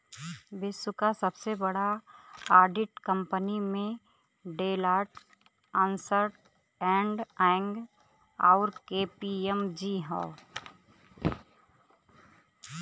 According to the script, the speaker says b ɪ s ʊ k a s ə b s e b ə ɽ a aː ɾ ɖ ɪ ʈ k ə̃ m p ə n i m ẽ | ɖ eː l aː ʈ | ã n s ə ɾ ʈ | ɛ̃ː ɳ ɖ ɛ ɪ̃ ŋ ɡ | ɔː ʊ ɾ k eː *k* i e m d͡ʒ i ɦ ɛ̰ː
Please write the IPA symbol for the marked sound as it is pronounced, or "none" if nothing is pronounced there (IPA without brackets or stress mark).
p